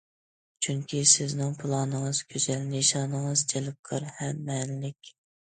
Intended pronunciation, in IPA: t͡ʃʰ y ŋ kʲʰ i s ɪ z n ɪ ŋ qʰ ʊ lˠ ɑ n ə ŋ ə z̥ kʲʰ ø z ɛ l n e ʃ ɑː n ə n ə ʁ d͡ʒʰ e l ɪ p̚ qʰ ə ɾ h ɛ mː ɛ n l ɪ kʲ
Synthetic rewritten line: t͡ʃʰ y ŋ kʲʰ i s ɪ z n ɪ ŋ pʰ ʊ lˠ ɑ n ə ŋ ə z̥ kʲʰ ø z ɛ l n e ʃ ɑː n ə ŋ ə z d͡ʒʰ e l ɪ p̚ qʰ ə ɾ h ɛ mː ɛ n l ɪ kʲ